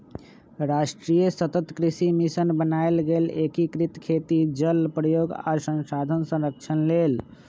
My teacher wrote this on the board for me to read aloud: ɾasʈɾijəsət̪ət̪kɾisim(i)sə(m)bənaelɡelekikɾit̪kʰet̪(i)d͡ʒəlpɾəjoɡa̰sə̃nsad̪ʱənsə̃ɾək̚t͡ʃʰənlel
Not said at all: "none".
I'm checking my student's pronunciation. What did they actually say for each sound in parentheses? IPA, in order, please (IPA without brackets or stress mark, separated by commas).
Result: i, n, i